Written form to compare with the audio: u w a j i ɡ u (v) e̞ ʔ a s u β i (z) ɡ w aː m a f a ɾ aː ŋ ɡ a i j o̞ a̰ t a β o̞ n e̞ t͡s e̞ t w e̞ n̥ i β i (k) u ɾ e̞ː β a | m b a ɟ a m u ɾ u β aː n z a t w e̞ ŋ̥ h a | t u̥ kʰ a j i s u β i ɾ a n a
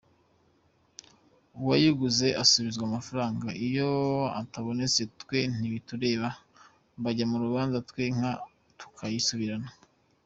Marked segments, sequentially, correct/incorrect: incorrect, correct, incorrect

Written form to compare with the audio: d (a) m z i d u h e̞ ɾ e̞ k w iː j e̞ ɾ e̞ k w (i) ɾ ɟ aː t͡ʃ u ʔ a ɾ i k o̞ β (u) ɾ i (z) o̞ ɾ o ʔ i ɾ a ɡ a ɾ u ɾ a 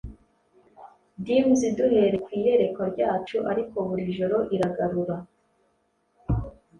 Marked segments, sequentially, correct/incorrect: incorrect, incorrect, correct, incorrect

